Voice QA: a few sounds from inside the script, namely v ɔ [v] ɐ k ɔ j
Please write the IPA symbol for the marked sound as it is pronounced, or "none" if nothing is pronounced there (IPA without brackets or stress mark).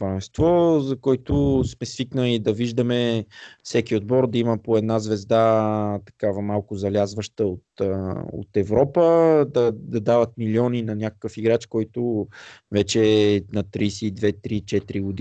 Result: z